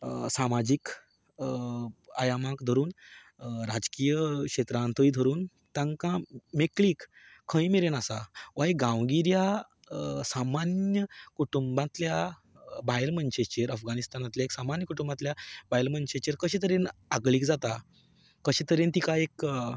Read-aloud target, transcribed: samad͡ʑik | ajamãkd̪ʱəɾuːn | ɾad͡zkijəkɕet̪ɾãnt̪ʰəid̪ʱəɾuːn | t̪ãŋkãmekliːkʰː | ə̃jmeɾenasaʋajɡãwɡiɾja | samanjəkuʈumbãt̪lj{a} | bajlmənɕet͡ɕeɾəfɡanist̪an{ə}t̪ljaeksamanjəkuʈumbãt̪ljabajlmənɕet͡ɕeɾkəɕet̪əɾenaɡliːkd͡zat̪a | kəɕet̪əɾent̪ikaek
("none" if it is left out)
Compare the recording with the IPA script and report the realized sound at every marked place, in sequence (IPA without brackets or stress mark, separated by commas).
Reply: a, a